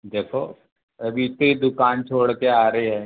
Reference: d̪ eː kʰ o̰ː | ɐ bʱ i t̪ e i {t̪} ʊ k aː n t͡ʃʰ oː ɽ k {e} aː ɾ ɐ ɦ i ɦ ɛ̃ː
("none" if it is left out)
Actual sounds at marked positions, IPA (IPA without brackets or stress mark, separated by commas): d̪, e